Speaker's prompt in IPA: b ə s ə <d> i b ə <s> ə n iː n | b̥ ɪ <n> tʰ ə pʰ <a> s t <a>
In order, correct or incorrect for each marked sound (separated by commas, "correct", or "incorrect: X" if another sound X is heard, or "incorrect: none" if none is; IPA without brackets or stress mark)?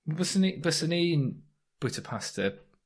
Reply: incorrect: n, correct, incorrect: none, correct, incorrect: ə